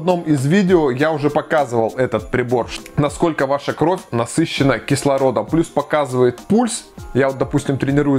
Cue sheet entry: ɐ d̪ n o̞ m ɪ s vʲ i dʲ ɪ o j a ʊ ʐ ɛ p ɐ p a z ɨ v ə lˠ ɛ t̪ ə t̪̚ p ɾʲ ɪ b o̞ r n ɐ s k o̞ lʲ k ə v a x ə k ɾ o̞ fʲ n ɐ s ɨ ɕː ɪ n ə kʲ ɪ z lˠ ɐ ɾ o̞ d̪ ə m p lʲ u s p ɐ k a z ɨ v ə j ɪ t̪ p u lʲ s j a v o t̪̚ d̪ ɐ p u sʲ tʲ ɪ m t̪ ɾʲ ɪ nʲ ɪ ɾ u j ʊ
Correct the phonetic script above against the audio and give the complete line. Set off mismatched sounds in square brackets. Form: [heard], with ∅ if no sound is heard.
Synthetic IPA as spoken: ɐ d̪ n o̞ m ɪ [z] vʲ i dʲ ɪ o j a ʊ ʐ ɛ p ɐ [k] a z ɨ v ə lˠ ɛ t̪ ə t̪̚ p ɾʲ ɪ b o̞ r n ɐ s k o̞ lʲ k ə v a [ʂ] ə k ɾ o̞ fʲ n ɐ s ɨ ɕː ɪ n ə kʲ ɪ [s] lˠ ɐ ɾ o̞ d̪ ə m p lʲ u s p ɐ k a z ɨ v ə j ɪ t̪ p u lʲ s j a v o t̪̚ d̪ ɐ p u sʲ tʲ ɪ m t̪ ɾʲ ɪ nʲ ɪ ɾ u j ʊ